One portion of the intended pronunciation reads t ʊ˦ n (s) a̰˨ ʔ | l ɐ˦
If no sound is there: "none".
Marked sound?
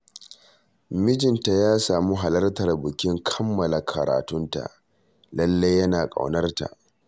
t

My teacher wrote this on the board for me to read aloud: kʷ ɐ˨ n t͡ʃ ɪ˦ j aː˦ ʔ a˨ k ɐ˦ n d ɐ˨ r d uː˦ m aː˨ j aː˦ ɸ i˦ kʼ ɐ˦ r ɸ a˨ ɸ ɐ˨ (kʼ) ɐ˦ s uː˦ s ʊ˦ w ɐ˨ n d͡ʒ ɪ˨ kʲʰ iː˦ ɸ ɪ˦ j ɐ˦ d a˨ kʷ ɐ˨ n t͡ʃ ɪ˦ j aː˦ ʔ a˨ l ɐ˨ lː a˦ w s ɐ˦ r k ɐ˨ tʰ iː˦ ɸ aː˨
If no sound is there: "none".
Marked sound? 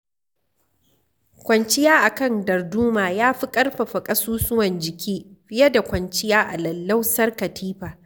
kʼ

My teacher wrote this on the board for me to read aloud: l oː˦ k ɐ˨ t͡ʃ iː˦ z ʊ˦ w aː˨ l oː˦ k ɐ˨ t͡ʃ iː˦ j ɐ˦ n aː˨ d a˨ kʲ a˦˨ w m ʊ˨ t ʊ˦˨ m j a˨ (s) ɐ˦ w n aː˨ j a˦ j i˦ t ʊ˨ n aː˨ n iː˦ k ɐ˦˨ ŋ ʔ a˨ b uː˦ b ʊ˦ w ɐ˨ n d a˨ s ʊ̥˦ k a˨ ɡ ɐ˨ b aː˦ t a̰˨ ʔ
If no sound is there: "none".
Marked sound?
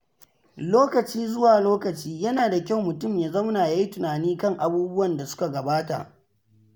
z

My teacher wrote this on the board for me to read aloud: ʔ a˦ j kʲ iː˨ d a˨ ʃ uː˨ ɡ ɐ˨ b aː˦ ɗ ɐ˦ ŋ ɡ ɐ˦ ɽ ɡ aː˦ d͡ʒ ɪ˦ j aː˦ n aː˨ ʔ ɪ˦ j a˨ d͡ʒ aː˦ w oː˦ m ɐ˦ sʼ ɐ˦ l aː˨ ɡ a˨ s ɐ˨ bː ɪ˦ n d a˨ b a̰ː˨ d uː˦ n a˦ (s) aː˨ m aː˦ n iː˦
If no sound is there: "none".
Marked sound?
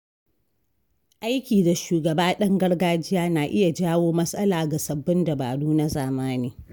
z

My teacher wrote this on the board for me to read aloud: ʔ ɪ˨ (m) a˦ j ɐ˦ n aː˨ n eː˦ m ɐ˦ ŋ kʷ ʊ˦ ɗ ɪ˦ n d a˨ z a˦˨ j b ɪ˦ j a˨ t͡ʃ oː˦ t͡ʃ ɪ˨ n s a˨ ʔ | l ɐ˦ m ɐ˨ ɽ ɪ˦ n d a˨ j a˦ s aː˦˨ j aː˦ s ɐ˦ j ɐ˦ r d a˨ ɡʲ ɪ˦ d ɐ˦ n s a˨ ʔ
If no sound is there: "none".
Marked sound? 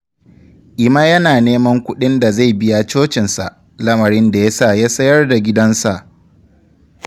m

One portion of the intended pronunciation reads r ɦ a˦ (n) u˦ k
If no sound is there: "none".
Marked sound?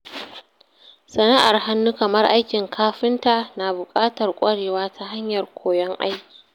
nː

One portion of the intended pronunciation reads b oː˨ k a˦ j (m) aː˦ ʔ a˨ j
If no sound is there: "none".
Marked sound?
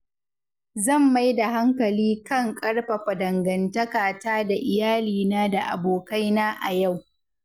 n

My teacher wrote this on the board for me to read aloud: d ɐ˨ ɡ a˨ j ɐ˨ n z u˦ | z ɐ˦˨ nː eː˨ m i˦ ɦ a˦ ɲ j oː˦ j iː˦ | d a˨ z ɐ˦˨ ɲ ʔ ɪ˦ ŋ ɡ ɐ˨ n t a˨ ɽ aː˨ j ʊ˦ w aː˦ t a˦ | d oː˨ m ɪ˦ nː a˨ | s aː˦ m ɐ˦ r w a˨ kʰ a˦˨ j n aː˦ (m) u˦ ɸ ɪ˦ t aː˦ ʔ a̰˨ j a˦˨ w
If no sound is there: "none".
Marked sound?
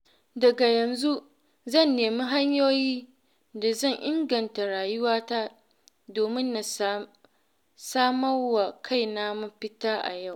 m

